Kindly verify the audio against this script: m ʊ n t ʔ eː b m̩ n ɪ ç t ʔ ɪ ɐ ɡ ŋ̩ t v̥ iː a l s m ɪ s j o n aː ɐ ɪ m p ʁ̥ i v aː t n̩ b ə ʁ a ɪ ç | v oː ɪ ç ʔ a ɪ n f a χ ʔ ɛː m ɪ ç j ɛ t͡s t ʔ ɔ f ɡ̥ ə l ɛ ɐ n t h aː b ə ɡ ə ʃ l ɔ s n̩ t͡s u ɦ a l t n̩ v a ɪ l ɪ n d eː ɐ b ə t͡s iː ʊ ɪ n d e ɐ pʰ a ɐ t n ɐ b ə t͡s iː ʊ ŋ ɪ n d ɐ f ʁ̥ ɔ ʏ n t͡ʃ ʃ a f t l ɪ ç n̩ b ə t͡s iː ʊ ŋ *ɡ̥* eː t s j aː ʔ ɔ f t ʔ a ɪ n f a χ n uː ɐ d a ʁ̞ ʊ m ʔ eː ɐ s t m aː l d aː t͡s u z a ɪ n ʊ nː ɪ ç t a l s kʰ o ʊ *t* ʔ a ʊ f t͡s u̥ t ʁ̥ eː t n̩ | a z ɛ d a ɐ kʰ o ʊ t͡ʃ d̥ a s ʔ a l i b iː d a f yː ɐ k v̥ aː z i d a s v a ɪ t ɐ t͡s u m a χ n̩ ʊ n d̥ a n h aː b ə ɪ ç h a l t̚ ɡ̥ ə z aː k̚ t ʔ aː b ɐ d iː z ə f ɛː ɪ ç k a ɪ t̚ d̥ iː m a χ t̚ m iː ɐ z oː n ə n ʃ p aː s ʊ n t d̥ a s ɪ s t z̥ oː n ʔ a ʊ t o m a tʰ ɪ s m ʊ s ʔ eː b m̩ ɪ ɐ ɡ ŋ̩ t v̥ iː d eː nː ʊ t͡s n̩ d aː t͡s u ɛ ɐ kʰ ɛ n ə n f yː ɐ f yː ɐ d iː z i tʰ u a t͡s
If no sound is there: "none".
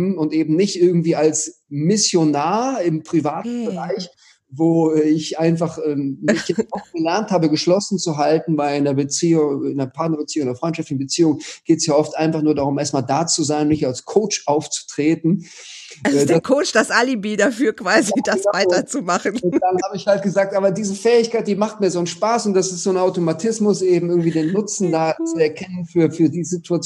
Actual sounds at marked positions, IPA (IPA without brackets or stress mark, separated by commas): ɡ̥, t͡ʃ